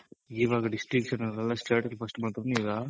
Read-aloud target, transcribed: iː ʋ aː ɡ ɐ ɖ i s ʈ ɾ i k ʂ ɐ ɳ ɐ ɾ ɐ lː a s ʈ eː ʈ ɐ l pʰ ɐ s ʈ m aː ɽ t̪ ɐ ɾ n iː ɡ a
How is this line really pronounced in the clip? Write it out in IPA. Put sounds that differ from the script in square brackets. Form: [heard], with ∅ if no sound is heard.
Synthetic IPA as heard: iː ʋ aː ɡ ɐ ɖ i s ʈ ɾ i k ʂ ɐ [n] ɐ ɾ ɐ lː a s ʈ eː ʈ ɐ l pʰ ɐ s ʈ m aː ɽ t̪ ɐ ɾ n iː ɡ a